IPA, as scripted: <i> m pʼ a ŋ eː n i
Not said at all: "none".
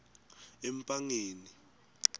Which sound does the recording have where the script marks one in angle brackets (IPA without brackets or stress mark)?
ɛ